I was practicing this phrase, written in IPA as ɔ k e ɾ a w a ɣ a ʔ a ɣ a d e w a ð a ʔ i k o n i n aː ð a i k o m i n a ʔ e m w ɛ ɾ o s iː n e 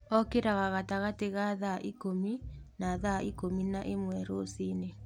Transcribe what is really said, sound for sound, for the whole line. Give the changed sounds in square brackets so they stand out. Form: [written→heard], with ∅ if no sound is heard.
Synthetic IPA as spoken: ɔ k e ɾ a [w→ɣ] a ɣ a [ʔ→t] a ɣ a [d→t] e [w→ɣ] a ð a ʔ i k o [n→m] i n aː ð a i k o m i n a ʔ e m w ɛ ɾ o s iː n e